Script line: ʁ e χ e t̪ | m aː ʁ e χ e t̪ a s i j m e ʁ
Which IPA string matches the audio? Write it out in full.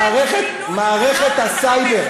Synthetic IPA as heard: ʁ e χ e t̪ | m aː ʁ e χ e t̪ a s a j b e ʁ